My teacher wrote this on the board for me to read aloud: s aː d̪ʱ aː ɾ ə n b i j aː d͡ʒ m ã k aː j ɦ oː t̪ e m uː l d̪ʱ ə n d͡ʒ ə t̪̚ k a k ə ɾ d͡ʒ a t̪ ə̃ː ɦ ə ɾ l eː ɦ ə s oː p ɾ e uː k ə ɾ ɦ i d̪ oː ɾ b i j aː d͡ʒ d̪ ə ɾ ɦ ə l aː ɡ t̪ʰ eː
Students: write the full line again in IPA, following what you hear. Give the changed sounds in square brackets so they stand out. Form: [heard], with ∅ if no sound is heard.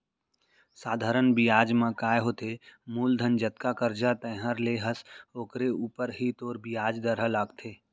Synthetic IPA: s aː d̪ʱ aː ɾ ə n b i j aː d͡ʒ m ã k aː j ɦ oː t̪ e m uː l d̪ʱ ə n d͡ʒ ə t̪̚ k a k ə ɾ d͡ʒ a t̪ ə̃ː ɦ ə ɾ l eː ɦ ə s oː [k] ɾ e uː [p] ə ɾ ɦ i [t̪] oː ɾ b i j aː d͡ʒ d̪ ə ɾ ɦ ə l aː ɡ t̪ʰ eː